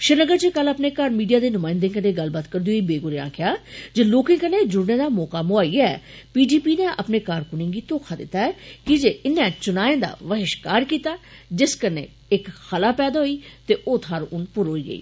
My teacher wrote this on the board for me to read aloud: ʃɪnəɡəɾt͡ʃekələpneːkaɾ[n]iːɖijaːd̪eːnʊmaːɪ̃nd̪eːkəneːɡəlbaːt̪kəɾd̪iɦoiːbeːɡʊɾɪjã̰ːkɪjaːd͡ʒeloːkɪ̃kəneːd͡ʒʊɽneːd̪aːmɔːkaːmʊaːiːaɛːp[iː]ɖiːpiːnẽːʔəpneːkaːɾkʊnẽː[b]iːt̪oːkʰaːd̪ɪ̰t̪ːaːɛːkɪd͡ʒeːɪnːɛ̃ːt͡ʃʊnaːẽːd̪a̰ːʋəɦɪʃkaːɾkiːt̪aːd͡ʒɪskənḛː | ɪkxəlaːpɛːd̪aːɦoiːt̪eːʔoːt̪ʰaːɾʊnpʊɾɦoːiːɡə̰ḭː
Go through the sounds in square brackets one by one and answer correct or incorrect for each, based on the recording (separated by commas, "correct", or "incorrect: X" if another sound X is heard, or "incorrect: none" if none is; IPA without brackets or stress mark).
incorrect: m, correct, incorrect: ɡ